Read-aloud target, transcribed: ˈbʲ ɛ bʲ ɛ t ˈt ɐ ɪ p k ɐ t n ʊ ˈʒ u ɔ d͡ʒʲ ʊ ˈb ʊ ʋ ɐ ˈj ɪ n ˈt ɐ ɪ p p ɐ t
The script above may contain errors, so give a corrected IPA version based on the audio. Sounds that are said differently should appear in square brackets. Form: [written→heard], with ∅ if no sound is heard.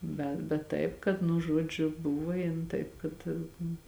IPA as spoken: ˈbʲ ɛ bʲ ɛ t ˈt ɐ ɪ p k ɐ t n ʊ ˈʒ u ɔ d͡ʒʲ ʊ ˈb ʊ ʋ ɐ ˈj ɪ n ˈt ɐ ɪ p [p→k] ɐ t